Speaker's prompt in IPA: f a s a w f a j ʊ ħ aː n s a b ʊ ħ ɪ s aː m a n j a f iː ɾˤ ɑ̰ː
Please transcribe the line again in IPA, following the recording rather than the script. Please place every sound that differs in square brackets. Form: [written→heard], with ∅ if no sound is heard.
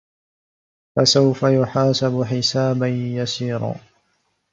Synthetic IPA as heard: f a s a w f a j ʊ ħ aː [n→∅] s a b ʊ ħ ɪ s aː [m→b] a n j a [f→s] iː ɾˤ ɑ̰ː